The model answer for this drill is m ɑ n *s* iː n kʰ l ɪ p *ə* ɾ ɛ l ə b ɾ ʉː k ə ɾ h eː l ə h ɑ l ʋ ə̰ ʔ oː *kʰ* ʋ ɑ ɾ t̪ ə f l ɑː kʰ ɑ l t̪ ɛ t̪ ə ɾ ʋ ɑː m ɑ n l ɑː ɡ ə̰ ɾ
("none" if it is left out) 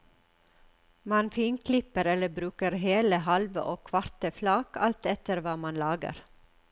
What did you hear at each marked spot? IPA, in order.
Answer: f, ə, kʰ

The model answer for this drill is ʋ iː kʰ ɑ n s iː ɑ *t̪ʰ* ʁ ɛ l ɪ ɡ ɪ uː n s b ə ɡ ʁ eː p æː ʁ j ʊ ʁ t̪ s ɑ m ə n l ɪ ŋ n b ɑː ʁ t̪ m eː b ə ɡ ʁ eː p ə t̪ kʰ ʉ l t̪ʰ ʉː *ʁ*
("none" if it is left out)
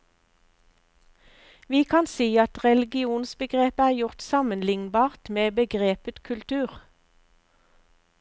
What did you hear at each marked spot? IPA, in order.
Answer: t̪, ʁ

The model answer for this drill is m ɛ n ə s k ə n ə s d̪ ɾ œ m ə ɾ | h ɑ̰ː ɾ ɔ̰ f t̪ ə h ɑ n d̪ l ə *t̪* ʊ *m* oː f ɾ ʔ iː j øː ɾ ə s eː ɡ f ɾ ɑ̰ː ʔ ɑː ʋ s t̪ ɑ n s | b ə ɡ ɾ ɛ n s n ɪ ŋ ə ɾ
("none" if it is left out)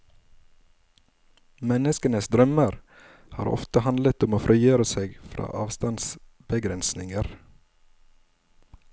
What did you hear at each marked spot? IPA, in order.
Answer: t̪, m

